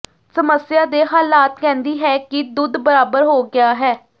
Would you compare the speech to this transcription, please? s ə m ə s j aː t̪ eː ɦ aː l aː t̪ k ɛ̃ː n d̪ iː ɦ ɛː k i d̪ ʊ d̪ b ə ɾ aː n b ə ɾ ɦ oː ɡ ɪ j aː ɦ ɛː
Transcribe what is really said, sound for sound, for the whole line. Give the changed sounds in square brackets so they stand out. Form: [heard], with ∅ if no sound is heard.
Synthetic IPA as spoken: s ə m ə s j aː [d̪] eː ɦ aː l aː t̪ k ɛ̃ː n d̪ iː ɦ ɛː k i d̪ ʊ d̪ b ə ɾ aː [∅] b ə ɾ ɦ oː ɡ ɪ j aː ɦ ɛː